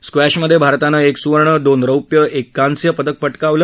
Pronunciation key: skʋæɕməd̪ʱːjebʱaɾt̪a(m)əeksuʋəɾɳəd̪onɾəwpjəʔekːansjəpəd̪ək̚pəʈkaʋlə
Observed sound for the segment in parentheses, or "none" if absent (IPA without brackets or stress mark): n